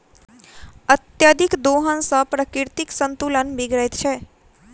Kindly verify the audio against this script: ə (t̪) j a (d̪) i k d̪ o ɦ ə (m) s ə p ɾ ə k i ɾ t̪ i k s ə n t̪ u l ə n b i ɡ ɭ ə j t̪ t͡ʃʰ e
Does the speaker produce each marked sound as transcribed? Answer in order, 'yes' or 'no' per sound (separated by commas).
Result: yes, yes, no